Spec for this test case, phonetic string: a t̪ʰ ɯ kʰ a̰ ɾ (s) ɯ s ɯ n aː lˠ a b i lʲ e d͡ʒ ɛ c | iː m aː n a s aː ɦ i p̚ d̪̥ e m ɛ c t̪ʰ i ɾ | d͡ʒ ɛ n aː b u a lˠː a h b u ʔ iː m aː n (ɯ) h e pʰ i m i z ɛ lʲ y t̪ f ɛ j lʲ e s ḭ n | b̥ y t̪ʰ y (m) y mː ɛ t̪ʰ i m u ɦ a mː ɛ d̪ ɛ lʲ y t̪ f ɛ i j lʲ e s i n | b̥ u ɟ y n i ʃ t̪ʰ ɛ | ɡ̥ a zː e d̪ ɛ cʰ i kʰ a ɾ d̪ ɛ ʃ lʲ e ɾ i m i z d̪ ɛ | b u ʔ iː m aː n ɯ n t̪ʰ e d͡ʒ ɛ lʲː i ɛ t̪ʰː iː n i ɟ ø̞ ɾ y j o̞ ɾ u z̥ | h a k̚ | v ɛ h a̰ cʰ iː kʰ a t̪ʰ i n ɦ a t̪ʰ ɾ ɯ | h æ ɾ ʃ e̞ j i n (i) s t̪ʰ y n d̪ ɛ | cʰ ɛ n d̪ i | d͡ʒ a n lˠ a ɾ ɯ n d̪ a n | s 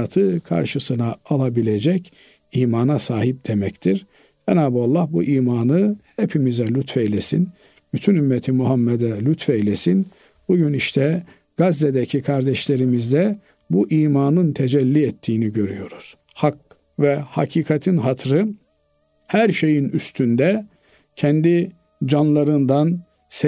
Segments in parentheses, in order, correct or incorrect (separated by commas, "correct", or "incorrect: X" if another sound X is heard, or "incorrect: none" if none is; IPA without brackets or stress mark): incorrect: ʃ, correct, incorrect: n, incorrect: y